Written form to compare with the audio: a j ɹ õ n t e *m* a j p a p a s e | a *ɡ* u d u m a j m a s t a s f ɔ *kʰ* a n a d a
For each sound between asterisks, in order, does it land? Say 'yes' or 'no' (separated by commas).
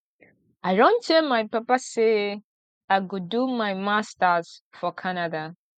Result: yes, yes, yes